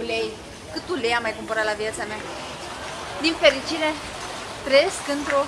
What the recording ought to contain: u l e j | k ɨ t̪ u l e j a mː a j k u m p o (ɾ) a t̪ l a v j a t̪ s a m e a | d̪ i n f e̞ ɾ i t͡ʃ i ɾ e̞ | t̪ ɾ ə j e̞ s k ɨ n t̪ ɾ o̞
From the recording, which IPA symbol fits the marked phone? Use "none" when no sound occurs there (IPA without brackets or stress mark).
ɾ